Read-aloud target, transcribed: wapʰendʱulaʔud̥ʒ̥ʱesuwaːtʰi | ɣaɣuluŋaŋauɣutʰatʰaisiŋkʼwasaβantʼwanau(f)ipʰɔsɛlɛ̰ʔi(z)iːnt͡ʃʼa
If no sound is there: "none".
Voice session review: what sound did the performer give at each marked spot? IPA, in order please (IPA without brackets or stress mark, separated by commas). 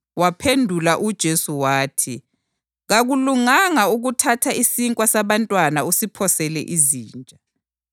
s, z